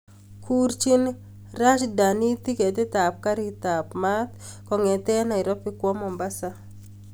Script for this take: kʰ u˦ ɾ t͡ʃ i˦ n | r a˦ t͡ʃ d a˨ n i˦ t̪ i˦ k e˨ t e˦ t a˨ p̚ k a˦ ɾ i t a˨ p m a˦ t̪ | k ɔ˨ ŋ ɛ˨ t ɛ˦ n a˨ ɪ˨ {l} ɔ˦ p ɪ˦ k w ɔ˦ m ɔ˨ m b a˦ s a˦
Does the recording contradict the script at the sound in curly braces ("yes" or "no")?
yes